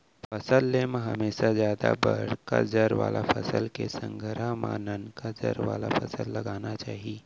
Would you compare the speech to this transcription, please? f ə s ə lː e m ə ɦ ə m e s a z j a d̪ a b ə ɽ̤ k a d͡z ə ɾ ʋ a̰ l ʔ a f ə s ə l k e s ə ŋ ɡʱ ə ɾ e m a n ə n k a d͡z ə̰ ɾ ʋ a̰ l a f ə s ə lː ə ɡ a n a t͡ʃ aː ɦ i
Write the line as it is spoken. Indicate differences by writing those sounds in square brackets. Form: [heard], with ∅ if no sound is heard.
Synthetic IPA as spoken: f ə s ə lː e m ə ɦ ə m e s a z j a d̪ a b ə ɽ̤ k a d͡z ə ɾ ʋ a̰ l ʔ a f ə s ə l k e s ə ŋ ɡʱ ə ɾ [a] m a n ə n k a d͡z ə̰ ɾ ʋ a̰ l a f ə s ə lː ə ɡ a n a t͡ʃ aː ɦ i